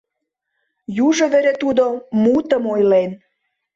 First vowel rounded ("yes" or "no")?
yes